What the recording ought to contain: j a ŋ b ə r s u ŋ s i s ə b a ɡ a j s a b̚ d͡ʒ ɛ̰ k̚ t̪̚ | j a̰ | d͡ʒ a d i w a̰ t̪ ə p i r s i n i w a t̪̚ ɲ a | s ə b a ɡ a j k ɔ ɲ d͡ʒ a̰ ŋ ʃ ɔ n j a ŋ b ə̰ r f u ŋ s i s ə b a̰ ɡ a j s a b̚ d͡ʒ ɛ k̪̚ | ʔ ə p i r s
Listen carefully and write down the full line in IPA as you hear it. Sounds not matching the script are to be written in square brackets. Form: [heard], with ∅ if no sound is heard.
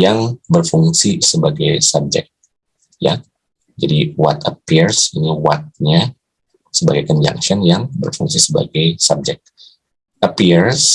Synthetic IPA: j a ŋ b ə r [f] u ŋ s i s ə b a ɡ a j s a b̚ d͡ʒ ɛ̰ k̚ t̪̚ | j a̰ | d͡ʒ a d i w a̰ t̪ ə p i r s i n i w a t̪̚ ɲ a | s ə b a ɡ a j k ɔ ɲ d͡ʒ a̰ ŋ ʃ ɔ n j a ŋ b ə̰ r f u ŋ s i s ə b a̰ ɡ a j s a b̚ d͡ʒ ɛ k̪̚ | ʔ ə p i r s

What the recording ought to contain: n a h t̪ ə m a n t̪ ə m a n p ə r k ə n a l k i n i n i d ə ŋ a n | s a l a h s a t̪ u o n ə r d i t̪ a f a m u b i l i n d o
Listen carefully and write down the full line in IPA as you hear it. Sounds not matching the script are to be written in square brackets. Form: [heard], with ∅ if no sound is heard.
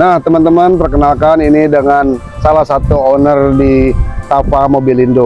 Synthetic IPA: n a h t̪ ə m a n t̪ ə m a n p ə r k ə n a l k [a] n i n i d ə ŋ a n | s a l a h s a t̪ u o n ə r d i t̪ a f a m [o] b i l i n d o

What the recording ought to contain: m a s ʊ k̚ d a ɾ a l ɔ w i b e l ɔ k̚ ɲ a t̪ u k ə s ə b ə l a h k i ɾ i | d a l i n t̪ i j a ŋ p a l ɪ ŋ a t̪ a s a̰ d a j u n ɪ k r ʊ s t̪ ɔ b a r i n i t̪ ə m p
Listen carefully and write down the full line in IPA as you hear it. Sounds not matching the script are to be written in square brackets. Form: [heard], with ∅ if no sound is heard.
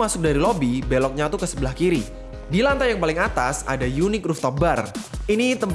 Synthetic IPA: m a s ʊ k̚ d a ɾ [i] l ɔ [b] i b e l ɔ k̚ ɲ a t̪ u k ə s ə b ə l a h k i ɾ i | d [i] l [a] n t̪ [a] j a ŋ p a l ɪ ŋ a t̪ a s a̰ d a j u n ɪ k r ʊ [f] t̪ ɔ b a r i n i t̪ ə m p

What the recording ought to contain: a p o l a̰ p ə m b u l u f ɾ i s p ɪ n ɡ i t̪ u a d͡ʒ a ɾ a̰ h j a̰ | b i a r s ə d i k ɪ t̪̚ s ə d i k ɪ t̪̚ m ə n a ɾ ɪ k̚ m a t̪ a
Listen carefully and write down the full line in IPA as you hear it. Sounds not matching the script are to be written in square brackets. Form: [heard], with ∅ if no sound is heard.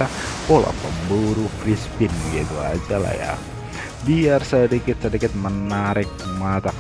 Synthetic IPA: a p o l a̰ p ə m b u [ɾ] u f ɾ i s p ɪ n ɡ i t̪ u a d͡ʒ a [l] a̰ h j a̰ | b i a r s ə d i k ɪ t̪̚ s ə d i k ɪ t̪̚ m ə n a ɾ ɪ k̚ m a t̪ a

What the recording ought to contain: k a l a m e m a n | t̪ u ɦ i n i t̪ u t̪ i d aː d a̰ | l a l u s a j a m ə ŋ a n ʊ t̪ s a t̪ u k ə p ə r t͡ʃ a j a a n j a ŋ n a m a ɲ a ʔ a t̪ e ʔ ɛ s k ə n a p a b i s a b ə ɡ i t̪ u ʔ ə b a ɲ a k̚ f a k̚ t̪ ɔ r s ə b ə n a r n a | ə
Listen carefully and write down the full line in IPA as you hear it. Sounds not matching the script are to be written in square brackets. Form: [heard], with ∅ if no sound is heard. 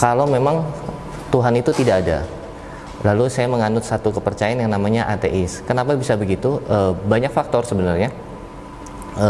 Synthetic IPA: k a l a m e m a [ŋ] | t̪ u ɦ [a] n i t̪ u t̪ i d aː d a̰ | l a l u s a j a m ə ŋ a n ʊ t̪ s a t̪ u k ə p ə r t͡ʃ a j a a n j a ŋ n a m a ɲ a ʔ a t̪ e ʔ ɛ s k ə n a p a b i s a b ə ɡ i t̪ u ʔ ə b a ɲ a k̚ f a k̚ t̪ ɔ r s ə b ə n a r [ɲ] a | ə

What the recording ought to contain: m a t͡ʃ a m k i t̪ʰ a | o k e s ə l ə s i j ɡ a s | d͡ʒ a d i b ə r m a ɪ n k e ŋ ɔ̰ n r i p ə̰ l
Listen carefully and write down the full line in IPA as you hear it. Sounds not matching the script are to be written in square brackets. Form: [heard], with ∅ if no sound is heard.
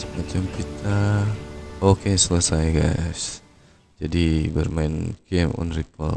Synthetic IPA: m a t͡ʃ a m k i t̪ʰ a | o k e s ə l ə s [a] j ɡ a s | d͡ʒ a d i b ə r m a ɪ n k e [m] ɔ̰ n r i p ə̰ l

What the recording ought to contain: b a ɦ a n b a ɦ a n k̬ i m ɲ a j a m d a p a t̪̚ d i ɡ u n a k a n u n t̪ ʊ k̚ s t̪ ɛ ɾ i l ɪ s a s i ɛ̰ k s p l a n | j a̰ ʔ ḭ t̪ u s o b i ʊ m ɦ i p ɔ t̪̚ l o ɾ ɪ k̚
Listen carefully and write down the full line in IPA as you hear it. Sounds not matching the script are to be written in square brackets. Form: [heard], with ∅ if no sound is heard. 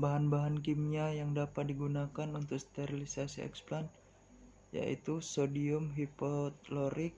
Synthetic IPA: b a ɦ a n b a ɦ a n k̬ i m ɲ a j a [ŋ] d a p a t̪̚ d i ɡ u n a k a n u n t̪ ʊ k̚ s t̪ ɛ ɾ i l [i] s a s i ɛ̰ k s p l a n | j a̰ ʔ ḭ t̪ u s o [d] i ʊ m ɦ i p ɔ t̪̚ l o ɾ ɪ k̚

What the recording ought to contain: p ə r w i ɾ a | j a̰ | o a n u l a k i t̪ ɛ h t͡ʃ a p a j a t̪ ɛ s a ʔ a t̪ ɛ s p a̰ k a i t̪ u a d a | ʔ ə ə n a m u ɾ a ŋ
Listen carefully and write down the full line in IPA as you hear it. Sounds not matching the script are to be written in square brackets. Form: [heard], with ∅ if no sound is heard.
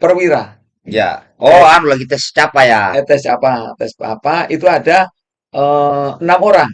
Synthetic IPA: p ə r w i ɾ a | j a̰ | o a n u l a [ɡ] i t̪ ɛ [s] t͡ʃ a p a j a t̪ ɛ s a [p] a t̪ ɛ s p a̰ [p] a i t̪ u a d a | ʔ ə ə n a m [o] ɾ a ŋ

